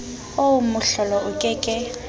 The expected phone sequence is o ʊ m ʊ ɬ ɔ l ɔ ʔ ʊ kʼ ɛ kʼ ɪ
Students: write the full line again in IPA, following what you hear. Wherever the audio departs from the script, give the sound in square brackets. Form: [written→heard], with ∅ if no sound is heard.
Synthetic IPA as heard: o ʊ m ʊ ɬ ɔ l ɔ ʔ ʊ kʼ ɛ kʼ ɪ